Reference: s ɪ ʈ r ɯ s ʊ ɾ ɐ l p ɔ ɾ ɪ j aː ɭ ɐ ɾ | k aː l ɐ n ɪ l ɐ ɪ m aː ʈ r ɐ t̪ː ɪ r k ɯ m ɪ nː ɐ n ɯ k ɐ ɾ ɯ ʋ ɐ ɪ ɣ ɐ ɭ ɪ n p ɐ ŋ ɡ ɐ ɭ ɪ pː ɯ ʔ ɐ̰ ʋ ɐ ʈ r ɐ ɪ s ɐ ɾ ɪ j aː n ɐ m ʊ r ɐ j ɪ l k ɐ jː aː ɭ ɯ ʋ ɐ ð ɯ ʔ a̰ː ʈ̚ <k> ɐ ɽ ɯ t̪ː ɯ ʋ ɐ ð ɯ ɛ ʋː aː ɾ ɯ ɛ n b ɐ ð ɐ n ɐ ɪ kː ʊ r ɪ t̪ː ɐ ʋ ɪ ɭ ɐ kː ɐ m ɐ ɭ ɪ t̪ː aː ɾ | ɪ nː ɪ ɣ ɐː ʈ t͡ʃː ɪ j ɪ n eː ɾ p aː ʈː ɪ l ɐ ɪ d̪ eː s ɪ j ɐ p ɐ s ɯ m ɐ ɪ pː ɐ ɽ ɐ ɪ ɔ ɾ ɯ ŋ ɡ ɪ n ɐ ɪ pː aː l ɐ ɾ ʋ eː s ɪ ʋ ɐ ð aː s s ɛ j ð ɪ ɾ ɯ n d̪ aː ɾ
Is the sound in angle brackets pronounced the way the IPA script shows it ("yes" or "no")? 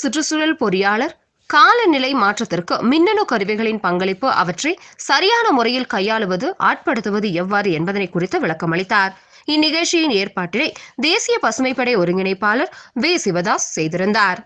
no